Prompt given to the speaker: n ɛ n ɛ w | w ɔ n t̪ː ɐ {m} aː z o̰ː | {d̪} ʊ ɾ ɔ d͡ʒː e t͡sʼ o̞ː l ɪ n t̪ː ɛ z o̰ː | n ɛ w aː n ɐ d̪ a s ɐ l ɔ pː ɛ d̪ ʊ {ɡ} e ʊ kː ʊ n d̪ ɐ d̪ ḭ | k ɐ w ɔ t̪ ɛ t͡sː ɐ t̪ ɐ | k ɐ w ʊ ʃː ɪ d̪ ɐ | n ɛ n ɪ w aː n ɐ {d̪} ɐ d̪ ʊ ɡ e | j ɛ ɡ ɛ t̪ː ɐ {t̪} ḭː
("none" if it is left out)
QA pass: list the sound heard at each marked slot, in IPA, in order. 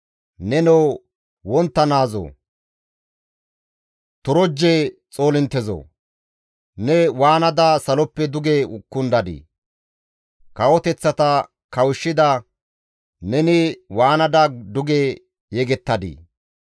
n, t̪, ɡ, d̪, d̪

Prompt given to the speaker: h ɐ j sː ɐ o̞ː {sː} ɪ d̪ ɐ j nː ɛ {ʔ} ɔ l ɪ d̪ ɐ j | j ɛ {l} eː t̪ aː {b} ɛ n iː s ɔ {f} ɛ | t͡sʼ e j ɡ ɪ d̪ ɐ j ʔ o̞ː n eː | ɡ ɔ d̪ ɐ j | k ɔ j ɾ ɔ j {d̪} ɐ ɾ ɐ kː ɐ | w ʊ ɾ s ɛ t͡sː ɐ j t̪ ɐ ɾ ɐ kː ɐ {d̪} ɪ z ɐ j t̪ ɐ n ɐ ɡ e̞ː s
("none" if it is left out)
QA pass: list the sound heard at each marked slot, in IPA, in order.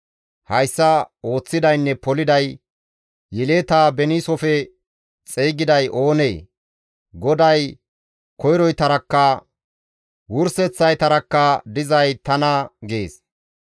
t͡sː, p, l, b, f, t̪, d̪

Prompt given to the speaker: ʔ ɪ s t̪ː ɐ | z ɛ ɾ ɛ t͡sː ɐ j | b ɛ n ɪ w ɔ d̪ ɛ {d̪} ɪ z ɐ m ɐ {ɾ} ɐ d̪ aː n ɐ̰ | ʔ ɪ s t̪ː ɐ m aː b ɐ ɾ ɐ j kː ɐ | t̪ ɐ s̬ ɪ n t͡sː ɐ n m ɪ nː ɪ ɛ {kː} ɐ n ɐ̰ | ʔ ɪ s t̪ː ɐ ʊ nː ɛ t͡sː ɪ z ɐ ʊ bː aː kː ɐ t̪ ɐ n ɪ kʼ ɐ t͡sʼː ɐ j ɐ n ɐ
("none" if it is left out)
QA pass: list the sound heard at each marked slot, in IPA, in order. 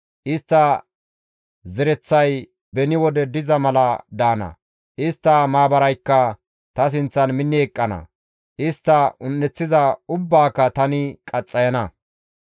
d̪, l, kʼː

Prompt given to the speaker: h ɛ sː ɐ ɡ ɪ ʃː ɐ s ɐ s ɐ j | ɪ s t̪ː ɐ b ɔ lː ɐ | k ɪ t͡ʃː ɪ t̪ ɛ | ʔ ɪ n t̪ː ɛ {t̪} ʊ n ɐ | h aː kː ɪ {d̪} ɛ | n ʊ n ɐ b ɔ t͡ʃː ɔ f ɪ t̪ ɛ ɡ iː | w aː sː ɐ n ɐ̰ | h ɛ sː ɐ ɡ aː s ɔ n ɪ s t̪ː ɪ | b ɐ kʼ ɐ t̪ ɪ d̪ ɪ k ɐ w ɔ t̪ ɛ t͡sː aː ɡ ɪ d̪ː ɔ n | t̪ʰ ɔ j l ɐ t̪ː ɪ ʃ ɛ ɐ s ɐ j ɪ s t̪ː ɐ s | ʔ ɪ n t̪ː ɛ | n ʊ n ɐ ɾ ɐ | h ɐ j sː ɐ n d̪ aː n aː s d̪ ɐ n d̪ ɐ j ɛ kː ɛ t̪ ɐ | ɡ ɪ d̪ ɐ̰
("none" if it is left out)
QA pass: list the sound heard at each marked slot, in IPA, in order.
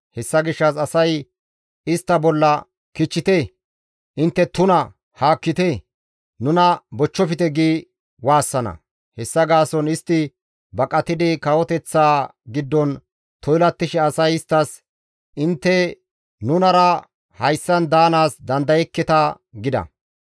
t̪, t̪

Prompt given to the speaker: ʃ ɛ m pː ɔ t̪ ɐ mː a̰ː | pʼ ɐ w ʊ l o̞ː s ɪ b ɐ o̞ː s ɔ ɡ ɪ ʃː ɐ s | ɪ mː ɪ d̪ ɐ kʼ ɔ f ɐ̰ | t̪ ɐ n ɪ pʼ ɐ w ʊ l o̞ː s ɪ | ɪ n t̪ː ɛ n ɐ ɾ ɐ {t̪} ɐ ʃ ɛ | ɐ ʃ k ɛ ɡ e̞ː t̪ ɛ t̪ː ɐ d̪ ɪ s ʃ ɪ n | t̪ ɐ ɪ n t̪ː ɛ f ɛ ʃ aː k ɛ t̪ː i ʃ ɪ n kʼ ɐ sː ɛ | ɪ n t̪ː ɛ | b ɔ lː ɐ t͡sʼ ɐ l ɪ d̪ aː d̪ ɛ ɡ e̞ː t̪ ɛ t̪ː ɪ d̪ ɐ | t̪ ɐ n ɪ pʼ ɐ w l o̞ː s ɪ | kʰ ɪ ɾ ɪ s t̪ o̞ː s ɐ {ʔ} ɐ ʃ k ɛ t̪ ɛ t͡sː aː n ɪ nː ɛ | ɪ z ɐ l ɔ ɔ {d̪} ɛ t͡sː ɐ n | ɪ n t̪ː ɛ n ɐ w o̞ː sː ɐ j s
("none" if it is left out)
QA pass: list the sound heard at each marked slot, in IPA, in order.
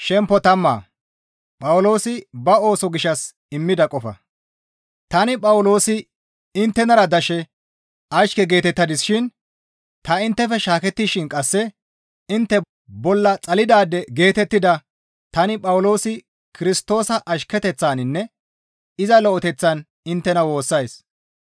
d̪, ʔ, t̪

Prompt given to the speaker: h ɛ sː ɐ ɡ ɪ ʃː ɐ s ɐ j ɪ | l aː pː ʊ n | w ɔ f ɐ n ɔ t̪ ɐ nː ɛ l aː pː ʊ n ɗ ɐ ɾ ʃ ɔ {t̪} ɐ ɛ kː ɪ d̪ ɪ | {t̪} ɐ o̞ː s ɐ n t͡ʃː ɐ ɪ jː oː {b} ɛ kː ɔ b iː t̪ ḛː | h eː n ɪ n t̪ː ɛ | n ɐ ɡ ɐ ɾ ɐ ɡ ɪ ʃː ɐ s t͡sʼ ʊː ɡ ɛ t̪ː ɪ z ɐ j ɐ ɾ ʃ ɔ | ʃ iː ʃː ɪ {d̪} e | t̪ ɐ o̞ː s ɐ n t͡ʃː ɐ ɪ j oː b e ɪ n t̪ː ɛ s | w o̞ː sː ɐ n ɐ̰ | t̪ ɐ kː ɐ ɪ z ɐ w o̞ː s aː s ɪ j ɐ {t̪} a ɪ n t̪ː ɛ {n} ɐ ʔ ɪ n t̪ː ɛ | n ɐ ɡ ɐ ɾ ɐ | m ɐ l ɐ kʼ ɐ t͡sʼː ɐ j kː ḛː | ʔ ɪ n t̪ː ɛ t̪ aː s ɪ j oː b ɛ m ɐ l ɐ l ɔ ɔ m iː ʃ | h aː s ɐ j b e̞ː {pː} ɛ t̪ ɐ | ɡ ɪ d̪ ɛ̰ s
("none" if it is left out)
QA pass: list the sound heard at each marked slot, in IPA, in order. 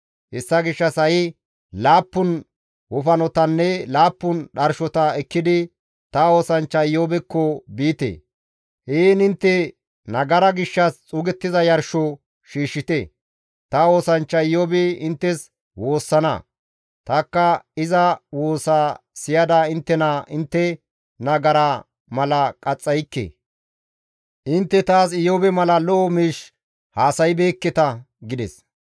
t̪, t̪, b, t̪, d̪, n, kː

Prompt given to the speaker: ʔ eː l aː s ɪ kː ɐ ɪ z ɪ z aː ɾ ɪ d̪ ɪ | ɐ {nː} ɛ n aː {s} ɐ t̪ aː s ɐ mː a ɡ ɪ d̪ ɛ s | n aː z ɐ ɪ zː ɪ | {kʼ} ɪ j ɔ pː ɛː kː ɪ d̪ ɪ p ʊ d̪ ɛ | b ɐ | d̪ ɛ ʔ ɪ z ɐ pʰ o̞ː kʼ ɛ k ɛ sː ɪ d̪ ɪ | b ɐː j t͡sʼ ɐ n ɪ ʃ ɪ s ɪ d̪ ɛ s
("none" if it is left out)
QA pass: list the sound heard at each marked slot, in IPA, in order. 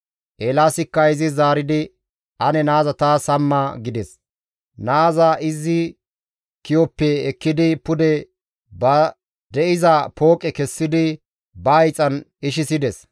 n, z, k

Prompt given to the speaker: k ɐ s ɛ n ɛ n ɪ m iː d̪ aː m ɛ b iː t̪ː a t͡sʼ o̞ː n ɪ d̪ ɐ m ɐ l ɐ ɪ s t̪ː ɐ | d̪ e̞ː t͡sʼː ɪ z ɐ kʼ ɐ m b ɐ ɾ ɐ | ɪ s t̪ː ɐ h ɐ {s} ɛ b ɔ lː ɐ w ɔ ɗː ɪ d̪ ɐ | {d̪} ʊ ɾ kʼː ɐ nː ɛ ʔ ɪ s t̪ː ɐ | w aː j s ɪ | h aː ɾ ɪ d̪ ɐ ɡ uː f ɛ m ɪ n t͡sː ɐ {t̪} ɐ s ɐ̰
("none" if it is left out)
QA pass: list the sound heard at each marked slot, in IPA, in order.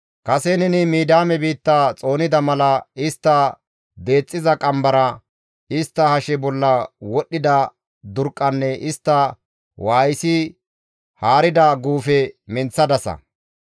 ʃ, d̪, d̪

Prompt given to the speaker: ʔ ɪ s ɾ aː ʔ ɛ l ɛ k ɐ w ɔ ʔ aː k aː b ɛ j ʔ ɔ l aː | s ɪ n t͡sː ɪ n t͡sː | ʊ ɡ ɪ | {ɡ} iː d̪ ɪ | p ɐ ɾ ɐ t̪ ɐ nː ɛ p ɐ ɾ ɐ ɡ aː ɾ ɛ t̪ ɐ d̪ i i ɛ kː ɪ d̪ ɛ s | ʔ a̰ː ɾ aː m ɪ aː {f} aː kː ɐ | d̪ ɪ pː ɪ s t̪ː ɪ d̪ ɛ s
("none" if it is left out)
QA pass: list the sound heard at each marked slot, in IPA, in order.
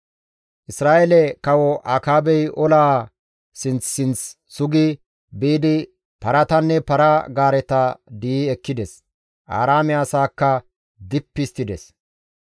b, s

